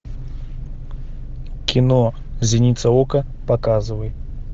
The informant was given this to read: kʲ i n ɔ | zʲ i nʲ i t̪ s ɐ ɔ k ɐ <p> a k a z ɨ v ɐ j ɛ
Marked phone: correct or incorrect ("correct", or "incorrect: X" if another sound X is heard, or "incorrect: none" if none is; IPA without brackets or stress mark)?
correct